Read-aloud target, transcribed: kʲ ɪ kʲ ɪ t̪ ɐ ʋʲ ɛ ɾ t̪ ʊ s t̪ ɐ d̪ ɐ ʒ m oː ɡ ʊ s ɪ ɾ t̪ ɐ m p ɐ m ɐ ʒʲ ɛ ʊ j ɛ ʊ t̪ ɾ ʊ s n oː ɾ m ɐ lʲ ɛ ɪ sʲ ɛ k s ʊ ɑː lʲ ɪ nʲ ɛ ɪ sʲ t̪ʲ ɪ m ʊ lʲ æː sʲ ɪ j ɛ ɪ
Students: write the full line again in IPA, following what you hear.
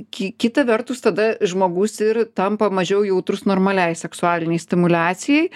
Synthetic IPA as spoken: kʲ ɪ kʲ ɪ t̪ ɐ ʋʲ ɛ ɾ t̪ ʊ s t̪ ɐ d̪ ɐ ʒ m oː ɡ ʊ s ɪ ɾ t̪ ɐ m p ɐ m ɐ ʒʲ ɛ ʊ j ɛ ʊ t̪ ɾ ʊ s n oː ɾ m ɐ lʲ ɛ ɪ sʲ ɛ k s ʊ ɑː lʲ ɪ nʲ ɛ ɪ sʲ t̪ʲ ɪ m ʊ lʲ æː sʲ ɪ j ɛ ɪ